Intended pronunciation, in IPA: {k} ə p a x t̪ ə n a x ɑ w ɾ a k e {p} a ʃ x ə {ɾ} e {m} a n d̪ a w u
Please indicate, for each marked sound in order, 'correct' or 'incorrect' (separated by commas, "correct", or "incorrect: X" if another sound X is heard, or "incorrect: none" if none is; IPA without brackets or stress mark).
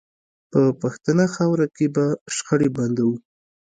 incorrect: p, incorrect: b, incorrect: ɽ, incorrect: b